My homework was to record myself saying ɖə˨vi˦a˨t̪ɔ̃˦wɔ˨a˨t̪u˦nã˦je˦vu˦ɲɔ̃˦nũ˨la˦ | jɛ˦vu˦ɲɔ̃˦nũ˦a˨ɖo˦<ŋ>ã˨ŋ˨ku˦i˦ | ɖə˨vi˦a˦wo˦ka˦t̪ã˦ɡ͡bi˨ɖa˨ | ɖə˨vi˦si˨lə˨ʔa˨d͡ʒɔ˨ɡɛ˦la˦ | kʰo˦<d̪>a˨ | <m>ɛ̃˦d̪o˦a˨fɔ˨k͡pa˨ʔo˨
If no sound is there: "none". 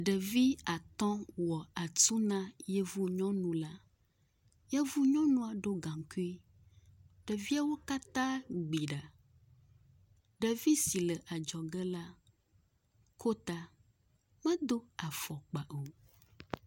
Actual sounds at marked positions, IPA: ɡ, t̪, m

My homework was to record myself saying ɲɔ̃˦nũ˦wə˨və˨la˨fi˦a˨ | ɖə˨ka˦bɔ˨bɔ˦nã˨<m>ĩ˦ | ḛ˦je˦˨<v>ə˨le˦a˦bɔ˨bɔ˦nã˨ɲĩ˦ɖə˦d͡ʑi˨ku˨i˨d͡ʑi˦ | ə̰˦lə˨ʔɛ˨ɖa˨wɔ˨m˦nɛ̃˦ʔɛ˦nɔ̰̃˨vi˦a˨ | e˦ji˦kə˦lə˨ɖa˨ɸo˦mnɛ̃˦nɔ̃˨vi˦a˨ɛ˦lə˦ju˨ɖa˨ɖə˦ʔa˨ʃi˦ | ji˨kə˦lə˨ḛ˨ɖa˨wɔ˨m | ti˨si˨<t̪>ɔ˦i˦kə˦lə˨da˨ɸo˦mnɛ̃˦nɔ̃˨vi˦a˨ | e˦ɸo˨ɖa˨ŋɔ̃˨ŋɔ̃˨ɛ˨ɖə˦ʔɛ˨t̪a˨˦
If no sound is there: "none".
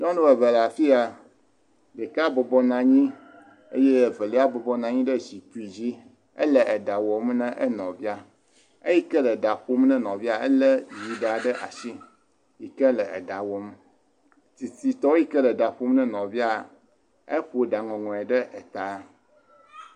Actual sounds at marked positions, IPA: ɲ, v, t̪

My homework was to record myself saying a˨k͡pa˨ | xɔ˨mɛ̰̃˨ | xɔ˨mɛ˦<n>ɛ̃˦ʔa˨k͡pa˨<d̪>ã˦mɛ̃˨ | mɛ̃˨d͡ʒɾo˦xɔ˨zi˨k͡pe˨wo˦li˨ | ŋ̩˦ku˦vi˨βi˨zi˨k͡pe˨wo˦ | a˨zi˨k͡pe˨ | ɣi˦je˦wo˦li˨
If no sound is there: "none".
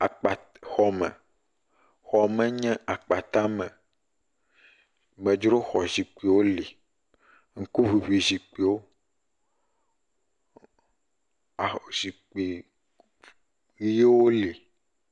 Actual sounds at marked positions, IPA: ɲ, t̪

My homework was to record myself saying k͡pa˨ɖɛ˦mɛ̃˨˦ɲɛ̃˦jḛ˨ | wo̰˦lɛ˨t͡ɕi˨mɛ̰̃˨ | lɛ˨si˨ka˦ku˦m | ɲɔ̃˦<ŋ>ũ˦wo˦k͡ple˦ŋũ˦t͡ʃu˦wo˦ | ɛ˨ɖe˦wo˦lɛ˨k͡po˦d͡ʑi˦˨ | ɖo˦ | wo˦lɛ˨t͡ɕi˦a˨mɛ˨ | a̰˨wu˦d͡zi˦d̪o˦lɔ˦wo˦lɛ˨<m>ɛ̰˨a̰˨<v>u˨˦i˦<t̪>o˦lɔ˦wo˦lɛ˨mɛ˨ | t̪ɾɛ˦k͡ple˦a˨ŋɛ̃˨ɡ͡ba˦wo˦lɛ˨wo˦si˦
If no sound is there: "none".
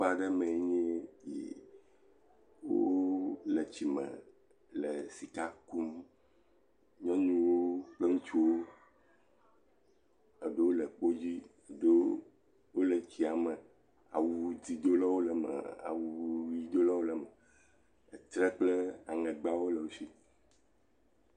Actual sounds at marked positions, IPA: ɲ, m, w, d̪

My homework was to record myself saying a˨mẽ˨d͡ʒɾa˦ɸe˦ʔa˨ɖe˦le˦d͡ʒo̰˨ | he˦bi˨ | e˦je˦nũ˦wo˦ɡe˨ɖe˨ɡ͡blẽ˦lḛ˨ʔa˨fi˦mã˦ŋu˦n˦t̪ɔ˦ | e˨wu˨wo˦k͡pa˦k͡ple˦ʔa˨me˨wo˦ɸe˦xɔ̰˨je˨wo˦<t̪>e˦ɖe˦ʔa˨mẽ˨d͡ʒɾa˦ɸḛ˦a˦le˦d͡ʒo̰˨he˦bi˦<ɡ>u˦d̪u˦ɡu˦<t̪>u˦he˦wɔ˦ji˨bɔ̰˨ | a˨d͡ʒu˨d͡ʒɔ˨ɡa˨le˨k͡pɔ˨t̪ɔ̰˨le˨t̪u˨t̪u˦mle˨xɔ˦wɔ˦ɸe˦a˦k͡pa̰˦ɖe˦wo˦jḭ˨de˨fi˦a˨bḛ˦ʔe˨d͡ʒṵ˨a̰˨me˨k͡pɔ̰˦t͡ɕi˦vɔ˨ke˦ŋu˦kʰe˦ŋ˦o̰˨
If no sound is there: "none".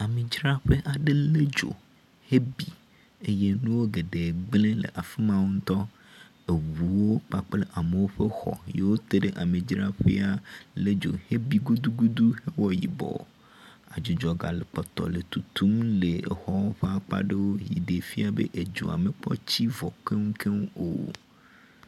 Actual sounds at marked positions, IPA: t̪, ɡ, d̪

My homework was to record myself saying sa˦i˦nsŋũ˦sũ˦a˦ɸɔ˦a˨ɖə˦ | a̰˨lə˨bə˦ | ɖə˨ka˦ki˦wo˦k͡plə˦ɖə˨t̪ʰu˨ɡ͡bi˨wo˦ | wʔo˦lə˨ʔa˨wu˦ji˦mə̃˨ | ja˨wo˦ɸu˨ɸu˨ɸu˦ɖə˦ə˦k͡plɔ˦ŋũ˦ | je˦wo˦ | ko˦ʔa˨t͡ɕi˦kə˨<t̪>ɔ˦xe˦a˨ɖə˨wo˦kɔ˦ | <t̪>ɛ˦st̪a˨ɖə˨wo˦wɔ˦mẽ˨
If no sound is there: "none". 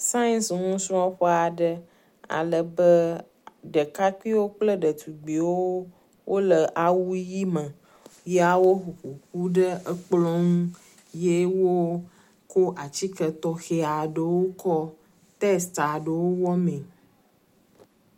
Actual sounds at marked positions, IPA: t̪, t̪

